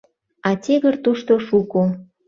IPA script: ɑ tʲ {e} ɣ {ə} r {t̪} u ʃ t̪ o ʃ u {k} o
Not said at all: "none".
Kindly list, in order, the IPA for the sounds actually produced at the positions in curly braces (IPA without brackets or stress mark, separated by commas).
e, ə, t̪, k